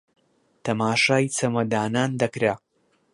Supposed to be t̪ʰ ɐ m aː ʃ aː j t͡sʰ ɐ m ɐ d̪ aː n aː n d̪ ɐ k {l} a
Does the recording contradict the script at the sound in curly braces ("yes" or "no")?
yes